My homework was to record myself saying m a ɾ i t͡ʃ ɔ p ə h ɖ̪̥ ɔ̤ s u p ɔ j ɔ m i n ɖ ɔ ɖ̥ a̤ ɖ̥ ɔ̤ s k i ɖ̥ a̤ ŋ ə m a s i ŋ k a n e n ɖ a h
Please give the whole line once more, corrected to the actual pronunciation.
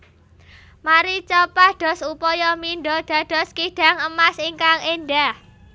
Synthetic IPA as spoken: m a ɾ i t͡ʃ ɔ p a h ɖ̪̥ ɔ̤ s u p ɔ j ɔ m i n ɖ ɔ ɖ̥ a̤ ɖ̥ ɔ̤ s k i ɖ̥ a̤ ŋ ə m a s i ŋ k a ŋ e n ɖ a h